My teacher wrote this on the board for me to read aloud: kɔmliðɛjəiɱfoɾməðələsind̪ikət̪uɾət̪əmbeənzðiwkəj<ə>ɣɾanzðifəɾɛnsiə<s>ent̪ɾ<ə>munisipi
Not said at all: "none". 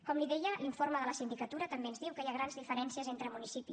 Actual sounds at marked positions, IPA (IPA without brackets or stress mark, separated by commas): a, z, ə